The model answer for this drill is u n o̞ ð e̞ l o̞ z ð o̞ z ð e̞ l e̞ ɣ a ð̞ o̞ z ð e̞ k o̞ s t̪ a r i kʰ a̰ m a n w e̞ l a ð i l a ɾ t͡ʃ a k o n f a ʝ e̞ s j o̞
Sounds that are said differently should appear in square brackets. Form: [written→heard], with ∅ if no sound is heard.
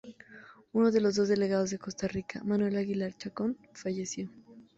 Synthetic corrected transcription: u n o̞ ð e̞ l o̞ z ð o̞ z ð e̞ l e̞ ɣ a ð̞ o̞ z ð e̞ k o̞ s t̪ a r i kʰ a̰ m a n w e̞ l a [ð→ɣ] i l a ɾ t͡ʃ a k o n f a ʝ e̞ s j o̞